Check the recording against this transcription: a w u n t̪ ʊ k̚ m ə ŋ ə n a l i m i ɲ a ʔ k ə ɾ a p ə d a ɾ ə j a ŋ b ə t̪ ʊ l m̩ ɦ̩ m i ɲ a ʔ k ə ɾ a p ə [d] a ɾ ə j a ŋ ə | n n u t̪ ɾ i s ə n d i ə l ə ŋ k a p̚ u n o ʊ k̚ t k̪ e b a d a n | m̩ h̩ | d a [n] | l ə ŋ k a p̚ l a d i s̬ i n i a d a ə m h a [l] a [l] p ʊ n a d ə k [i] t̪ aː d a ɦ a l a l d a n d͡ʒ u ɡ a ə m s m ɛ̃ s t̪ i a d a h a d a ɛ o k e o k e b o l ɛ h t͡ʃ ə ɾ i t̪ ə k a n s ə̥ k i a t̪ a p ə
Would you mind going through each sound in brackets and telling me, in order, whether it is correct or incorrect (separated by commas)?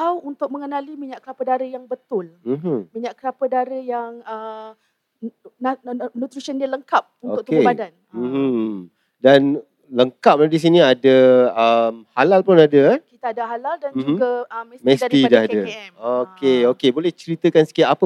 correct, correct, correct, correct, correct